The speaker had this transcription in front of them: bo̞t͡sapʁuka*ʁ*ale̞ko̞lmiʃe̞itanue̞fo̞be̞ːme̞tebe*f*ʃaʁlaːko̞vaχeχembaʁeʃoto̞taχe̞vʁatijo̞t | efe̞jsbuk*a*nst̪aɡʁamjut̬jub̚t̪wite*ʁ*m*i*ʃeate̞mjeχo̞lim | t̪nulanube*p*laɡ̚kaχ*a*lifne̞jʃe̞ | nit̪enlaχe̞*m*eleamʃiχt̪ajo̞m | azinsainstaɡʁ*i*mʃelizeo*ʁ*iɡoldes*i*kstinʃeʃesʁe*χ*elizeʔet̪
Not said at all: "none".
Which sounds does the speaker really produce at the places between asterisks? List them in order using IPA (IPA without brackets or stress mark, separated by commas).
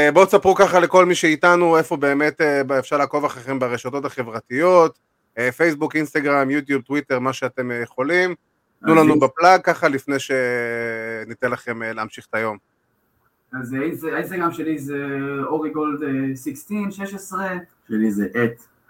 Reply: χ, f, i, ʁ, a, p, a, m, a, ʁ, i, ʃ